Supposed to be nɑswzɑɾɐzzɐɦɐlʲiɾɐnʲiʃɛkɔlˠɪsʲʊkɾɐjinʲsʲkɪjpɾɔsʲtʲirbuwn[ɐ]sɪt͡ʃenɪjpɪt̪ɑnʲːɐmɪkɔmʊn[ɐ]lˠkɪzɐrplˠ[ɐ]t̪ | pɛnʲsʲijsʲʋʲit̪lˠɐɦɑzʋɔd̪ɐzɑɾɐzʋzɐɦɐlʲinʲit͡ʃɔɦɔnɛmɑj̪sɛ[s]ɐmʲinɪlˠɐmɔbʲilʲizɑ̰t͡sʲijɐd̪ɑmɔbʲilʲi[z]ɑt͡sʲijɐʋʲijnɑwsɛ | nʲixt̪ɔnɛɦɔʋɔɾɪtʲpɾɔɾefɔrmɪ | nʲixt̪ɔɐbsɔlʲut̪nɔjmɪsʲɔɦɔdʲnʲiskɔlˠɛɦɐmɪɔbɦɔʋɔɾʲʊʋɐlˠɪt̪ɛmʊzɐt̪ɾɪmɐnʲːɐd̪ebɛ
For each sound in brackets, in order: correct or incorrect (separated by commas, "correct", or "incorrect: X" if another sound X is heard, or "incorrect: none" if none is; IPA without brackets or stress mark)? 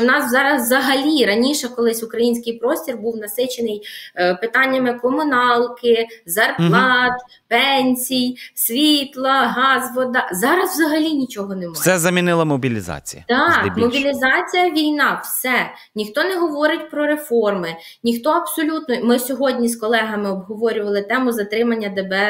correct, incorrect: ɑ, incorrect: ɑ, incorrect: z, correct